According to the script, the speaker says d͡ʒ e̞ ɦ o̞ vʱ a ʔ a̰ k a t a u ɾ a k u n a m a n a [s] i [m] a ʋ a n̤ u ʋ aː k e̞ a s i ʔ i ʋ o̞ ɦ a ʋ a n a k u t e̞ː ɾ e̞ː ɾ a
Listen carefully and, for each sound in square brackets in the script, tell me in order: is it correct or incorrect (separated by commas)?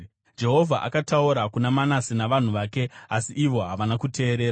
correct, incorrect